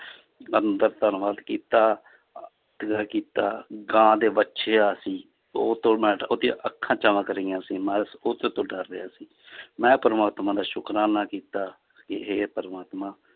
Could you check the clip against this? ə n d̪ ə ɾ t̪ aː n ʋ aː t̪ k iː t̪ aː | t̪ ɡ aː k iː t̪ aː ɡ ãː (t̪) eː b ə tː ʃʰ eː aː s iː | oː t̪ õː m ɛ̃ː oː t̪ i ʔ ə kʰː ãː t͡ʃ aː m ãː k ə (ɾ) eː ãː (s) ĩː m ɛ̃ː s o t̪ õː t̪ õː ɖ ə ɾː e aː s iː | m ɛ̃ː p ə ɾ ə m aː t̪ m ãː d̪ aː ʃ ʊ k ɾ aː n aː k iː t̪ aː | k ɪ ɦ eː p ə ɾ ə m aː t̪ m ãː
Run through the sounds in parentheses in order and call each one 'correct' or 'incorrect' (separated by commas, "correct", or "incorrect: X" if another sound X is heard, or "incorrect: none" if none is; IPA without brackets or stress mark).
incorrect: d̪, correct, correct